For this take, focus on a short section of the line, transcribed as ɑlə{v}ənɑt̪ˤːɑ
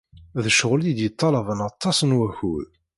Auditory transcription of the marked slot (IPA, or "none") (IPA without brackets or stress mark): v